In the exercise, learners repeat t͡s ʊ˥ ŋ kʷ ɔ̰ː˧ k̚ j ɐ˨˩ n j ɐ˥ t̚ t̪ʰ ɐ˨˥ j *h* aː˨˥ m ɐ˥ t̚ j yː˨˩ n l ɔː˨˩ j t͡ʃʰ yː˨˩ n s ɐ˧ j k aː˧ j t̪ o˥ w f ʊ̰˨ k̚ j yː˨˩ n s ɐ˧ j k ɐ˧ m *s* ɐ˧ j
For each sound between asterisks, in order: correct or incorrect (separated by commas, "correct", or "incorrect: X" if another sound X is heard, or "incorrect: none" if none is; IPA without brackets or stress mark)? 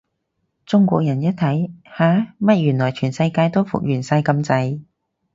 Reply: correct, incorrect: t͡s